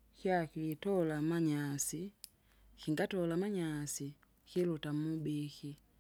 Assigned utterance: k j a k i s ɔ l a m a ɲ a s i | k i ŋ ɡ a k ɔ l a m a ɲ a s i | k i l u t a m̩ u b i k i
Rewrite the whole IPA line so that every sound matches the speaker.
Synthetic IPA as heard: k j a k i t ɔ l a m a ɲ a s i | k i ŋ ɡ a t ɔ l a m a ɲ a s i | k i l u t a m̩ u b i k i